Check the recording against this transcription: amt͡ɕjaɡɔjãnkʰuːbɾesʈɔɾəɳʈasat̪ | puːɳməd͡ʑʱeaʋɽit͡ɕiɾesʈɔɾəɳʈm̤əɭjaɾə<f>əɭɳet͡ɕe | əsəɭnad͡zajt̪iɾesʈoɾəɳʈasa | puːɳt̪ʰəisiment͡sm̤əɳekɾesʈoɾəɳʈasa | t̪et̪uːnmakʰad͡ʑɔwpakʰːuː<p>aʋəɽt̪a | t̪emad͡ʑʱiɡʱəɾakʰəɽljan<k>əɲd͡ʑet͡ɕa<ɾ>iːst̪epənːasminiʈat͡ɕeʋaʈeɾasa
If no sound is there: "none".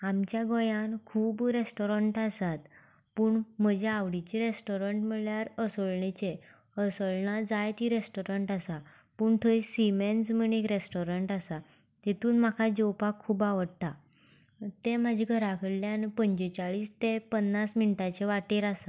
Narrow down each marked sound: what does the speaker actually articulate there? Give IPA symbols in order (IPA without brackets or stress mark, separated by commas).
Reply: s, b, p, ɭ